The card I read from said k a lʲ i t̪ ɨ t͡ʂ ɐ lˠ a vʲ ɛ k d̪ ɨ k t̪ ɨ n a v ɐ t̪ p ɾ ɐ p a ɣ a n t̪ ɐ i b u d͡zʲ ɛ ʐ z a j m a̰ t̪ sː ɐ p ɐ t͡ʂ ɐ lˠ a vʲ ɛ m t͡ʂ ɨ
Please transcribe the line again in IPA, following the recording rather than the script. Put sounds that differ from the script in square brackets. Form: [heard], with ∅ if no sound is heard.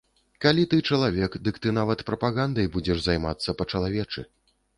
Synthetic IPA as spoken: k a lʲ i t̪ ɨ t͡ʂ ɐ lˠ a vʲ ɛ k d̪ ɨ k t̪ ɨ n a v ɐ t̪ p ɾ ɐ p a ɣ a n [d̪] ɐ [j] b u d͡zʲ ɛ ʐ z a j m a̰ t̪ sː ɐ p ɐ t͡ʂ ɐ lˠ a vʲ ɛ [∅] t͡ʂ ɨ